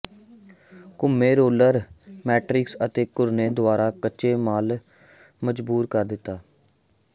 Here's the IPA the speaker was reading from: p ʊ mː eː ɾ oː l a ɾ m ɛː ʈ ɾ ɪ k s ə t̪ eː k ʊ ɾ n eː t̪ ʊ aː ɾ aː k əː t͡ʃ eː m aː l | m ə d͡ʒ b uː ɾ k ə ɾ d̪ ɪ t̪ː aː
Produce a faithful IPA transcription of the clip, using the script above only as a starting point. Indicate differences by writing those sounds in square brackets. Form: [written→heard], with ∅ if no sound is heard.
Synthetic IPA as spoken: [p→k] ʊ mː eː ɾ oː l [a→ə] ɾ m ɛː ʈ ɾ ɪ k s ə t̪ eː k ʊ ɾ n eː [t̪→d̪] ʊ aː ɾ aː k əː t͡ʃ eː m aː l | m ə d͡ʒ b uː ɾ k ə ɾ d̪ ɪ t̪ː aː

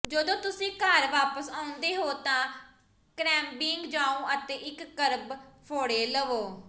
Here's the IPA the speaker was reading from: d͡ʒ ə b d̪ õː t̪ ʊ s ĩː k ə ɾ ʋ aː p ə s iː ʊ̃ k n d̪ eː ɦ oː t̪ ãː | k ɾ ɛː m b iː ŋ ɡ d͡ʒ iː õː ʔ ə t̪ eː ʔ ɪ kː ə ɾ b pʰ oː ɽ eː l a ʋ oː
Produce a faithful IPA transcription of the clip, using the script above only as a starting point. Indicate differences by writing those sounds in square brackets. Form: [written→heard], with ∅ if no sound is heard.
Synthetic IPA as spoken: d͡ʒ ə [b→∅] d̪ õː t̪ ʊ s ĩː k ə ɾ ʋ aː p ə s [iː→aː] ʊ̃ [k→∅] n d̪ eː ɦ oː t̪ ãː | k ɾ ɛː m b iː ŋ ɡ d͡ʒ [iː→aː] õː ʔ ə t̪ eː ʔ ɪ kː ə ɾ b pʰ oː ɽ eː l [a→ə] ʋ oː

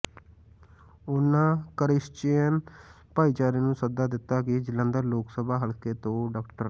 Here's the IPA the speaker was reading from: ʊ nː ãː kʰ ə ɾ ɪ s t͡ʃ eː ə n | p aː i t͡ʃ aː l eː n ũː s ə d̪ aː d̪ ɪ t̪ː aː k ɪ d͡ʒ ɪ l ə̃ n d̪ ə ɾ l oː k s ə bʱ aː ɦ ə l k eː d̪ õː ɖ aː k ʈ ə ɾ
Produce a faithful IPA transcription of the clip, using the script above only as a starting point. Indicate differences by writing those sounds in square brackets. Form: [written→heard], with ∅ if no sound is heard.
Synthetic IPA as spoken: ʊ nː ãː [kʰ→k] ə ɾ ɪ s t͡ʃ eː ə n | p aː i t͡ʃ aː [l→ɾ] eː n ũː s ə d̪ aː d̪ ɪ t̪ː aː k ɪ d͡ʒ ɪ l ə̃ n d̪ ə ɾ l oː k s ə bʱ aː ɦ ə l k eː [d̪→t̪] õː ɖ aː k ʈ ə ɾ

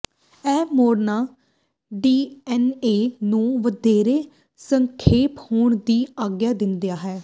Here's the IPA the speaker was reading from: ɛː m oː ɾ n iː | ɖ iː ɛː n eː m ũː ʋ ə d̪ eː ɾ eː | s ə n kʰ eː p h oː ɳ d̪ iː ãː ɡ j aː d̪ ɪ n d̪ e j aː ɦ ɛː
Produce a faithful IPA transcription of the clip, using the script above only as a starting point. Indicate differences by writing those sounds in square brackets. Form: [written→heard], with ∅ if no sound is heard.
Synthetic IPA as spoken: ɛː m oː ɾ n [iː→aː] | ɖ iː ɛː n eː [m→n] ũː ʋ ə d̪ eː ɾ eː | s ə [n→ŋ] kʰ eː p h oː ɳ d̪ iː [ãː→aː] ɡ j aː d̪ ɪ n d̪ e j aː ɦ ɛː

